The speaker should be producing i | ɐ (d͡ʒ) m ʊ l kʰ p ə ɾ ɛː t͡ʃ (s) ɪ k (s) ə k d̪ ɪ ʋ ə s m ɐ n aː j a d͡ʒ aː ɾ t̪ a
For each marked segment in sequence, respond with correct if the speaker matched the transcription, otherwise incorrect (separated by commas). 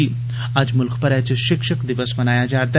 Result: correct, incorrect, incorrect